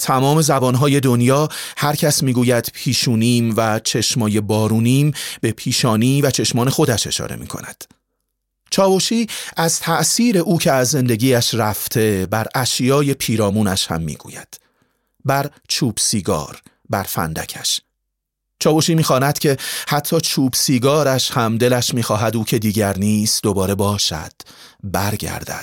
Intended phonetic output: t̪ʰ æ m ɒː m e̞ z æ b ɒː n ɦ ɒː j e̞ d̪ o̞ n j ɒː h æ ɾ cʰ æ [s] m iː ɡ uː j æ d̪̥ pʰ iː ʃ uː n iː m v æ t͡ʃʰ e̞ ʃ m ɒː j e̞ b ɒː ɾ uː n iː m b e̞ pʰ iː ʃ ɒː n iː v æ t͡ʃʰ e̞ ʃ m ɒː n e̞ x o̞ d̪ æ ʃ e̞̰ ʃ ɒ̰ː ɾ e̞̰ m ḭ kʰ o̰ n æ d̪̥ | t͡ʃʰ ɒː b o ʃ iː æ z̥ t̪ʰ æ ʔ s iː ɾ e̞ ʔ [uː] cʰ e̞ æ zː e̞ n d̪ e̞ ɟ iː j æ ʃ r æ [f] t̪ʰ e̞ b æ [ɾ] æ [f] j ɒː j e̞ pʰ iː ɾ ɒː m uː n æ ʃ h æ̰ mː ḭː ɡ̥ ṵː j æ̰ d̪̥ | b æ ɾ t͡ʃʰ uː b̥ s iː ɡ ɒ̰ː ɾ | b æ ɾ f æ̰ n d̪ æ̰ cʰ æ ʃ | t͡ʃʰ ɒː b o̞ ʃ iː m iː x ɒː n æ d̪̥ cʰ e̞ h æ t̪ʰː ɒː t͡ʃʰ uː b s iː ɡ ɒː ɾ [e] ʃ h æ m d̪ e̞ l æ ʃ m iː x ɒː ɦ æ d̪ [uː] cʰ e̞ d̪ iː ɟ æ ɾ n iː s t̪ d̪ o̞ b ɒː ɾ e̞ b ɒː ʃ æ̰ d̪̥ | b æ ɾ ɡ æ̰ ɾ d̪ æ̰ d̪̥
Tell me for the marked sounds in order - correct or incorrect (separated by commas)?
correct, correct, correct, correct, incorrect, incorrect, correct